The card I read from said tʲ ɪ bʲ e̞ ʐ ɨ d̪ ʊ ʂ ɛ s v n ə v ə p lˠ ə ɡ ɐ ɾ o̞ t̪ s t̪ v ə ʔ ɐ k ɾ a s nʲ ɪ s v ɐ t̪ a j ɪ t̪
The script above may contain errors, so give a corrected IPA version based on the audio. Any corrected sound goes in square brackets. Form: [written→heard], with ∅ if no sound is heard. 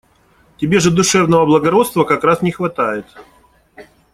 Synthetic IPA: tʲ ɪ bʲ e̞ ʐ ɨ d̪ ʊ ʂ ɛ [s→∅] v n ə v ə [p→b] lˠ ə ɡ ɐ ɾ o̞ t̪ s t̪ v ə [ʔ→k] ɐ k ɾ a s nʲ ɪ [s→x] v ɐ t̪ a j ɪ t̪